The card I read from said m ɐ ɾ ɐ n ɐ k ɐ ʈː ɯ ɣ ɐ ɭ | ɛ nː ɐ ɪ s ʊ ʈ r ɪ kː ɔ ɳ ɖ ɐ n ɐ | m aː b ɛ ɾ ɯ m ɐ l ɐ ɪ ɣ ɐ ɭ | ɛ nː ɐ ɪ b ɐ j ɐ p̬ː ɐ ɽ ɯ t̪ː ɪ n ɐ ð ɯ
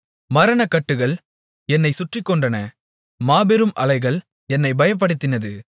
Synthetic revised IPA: m ɐ ɾ ɐ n ɐ k ɐ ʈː ɯ ɣ ɐ ɭ | ɛ nː ɐ ɪ s ʊ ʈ r ɪ kː ɔ ɳ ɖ ɐ n ɐ | m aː b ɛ ɾ ɯ m ɐ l ɐ ɪ ɣ ɐ ɭ | ɛ nː ɐ ɪ b ɐ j ɐ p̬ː ɐ ɽ ɯ t̪ː ɪ n ɐ ð ɯ